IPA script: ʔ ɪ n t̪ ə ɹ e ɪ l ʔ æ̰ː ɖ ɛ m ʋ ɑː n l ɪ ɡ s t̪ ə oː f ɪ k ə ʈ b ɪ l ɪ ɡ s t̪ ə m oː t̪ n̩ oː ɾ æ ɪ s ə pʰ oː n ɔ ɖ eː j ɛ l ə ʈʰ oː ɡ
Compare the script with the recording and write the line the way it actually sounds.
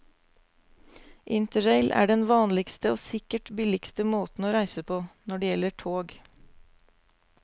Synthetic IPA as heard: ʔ ɪ n t̪ ə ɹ e ɪ l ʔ æ̰ː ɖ ɛ n ʋ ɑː n l ɪ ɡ s t̪ ə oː s ɪ k ə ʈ b ɪ l ɪ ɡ s t̪ ə m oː t̪ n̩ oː ɾ æ ɪ s ə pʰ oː n ɔ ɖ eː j ɛ l ə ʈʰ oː ɡ